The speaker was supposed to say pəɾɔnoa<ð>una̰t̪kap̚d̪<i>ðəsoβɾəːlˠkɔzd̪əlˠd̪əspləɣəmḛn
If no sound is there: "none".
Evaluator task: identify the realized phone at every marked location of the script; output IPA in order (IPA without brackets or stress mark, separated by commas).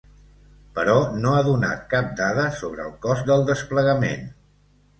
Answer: ð, a